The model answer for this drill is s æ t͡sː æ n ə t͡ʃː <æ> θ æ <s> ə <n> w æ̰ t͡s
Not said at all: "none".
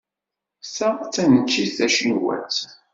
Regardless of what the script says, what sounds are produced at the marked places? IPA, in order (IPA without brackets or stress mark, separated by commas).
i, ʃ, n